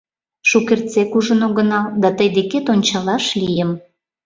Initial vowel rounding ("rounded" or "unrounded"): rounded